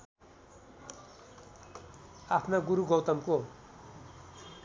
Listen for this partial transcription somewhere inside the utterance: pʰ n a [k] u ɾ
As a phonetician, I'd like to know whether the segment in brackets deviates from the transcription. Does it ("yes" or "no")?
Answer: yes